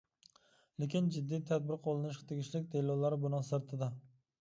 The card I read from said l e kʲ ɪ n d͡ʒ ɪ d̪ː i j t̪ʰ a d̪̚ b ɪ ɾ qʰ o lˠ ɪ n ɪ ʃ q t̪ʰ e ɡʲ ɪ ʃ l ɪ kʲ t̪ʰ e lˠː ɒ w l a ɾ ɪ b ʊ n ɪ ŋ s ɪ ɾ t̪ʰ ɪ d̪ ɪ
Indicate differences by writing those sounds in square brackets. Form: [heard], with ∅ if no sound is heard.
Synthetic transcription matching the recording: l e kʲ ɪ n d͡ʒ ɪ d̪ː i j t̪ʰ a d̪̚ b ɪ ɾ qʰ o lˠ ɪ n ɪ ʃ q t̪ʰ e ɡʲ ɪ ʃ l ɪ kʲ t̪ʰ e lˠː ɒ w l a ɾ ɪ b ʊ n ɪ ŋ s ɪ ɾ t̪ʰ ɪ d̪ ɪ